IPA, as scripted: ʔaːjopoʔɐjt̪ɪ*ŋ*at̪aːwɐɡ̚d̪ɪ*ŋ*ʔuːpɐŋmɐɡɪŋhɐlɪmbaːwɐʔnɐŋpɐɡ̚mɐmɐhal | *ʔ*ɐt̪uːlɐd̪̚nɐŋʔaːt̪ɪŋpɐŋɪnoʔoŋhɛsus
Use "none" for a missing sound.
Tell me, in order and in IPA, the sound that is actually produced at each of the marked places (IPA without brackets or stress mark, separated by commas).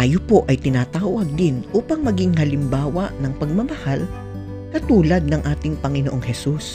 n, n, k